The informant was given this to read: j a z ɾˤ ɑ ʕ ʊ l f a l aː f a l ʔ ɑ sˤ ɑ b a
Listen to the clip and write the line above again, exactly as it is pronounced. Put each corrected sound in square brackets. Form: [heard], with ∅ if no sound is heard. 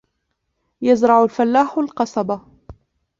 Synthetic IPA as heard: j a z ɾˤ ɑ ʕ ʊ l f a [lː] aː [ħ] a l [q] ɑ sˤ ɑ b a